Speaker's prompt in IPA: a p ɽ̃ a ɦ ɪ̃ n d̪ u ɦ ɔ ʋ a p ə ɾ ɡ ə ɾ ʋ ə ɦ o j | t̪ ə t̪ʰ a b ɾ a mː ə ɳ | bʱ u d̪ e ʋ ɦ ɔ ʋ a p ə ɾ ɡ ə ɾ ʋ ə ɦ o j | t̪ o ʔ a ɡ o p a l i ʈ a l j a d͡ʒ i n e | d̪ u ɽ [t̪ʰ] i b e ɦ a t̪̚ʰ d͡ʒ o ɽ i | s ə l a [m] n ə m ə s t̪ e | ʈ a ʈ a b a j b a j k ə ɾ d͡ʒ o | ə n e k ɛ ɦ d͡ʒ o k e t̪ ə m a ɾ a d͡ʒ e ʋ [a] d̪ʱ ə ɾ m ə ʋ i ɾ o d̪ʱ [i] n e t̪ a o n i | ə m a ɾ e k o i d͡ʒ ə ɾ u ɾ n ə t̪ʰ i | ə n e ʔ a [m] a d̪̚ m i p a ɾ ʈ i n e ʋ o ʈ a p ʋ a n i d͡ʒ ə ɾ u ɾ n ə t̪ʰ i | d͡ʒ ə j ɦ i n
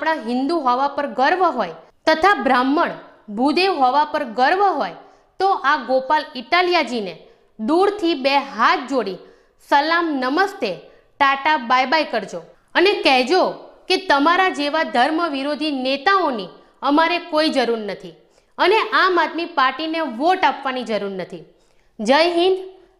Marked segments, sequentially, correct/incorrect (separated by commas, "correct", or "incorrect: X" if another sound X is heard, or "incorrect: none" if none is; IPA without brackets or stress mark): correct, correct, correct, correct, correct